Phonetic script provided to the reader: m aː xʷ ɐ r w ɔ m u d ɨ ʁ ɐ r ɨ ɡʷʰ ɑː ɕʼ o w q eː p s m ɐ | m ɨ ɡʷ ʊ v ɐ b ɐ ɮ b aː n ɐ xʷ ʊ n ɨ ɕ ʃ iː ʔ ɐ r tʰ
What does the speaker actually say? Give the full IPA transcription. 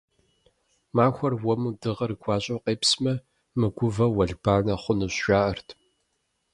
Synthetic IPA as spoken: m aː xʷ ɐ r w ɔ m u d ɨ ʁ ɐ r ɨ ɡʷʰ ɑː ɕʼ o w q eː p s m ɐ | m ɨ ɡʷ ʊ v ɐ w ɐ ɮ b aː n ɐ χʷ ʊ n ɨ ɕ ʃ aː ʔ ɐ r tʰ